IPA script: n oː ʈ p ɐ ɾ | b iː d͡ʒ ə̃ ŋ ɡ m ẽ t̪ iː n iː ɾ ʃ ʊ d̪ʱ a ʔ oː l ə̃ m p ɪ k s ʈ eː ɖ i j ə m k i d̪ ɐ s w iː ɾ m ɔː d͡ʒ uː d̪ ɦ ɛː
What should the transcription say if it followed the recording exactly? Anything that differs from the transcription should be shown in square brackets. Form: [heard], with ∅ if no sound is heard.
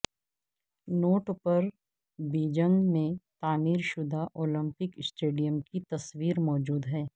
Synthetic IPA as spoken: n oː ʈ p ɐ ɾ | b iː d͡ʒ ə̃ ŋ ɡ m ẽ t̪ [aː] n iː ɾ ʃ ʊ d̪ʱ a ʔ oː l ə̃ m p ɪ k s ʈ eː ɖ i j ə m k i [t̪] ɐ s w iː ɾ m ɔː d͡ʒ uː d̪ ɦ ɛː

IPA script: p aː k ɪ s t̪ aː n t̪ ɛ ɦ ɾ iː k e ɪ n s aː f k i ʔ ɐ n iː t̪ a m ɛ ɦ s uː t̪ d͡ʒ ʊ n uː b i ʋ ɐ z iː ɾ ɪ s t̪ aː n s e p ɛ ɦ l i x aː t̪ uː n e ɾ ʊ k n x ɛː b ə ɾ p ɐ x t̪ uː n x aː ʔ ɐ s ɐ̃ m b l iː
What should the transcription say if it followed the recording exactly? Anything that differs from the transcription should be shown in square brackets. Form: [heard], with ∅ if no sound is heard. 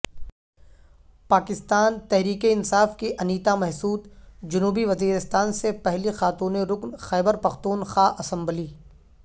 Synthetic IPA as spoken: p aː k ɪ s t̪ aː n t̪ ɛ ɦ ɾ iː k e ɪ n s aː f k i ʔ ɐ n iː t̪ a m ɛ ɦ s uː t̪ d͡ʒ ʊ n uː b i ʋ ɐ z iː ɾ ɪ s t̪ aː n s e p ɛ ɦ l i x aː t̪ uː n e ɾ ʊ k n x ɛː b ə ɾ p ɐ x t̪ uː n x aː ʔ ɐ s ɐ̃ m b l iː

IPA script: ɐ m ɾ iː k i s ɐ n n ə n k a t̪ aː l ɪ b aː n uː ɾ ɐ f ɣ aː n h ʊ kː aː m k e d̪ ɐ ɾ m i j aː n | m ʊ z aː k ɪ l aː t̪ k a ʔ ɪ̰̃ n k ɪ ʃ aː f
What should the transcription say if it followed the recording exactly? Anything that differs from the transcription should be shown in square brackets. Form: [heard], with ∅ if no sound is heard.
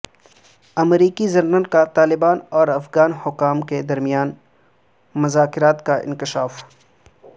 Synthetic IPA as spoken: ɐ m ɾ iː k i [z] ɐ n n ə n k a t̪ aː l ɪ b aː n [ɔː] ɾ ɐ f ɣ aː n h ʊ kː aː m k e d̪ ɐ ɾ m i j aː n | m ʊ z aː k ɪ [ɾ] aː t̪ k a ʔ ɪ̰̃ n k ɪ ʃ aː f

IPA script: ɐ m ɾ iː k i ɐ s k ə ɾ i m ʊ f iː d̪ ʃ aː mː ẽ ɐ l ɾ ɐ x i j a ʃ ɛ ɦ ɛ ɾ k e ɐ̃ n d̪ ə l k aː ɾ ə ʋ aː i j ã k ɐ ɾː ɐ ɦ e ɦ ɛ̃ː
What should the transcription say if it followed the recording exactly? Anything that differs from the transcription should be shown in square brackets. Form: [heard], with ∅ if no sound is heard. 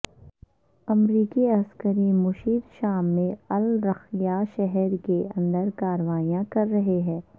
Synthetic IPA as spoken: ɐ m ɾ iː k i ɐ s k ə ɾ i m ʊ [ʃ] iː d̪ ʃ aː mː ẽ ɐ l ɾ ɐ x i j a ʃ ɛ ɦ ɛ ɾ k e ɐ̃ n d̪ ə [ɾ] k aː ɾ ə ʋ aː i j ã k ɐ ɾː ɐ ɦ e ɦ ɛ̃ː

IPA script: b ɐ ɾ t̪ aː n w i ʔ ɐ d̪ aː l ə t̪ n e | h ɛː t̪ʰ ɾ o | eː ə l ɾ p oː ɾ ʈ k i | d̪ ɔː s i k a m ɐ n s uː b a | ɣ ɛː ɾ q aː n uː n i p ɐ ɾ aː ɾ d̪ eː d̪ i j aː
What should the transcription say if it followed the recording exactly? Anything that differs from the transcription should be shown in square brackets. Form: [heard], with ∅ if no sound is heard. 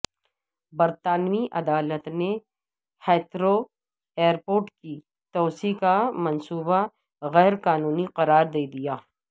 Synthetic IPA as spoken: b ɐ ɾ t̪ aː n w i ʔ ɐ d̪ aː l ə t̪ n e | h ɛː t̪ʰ ɾ o | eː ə [∅] ɾ p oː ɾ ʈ k i | [t̪] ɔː s i k a m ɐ n s uː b a | ɣ ɛː ɾ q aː n uː n i [q] ɐ ɾ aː ɾ d̪ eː d̪ i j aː

